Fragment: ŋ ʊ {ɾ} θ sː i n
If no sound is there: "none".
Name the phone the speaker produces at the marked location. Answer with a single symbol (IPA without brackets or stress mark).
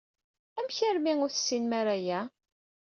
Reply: ɾ